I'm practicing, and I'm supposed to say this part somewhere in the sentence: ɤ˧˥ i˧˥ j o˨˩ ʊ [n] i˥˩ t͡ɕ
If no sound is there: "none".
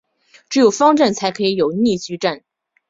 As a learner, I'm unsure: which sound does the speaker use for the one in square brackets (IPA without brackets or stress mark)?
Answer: n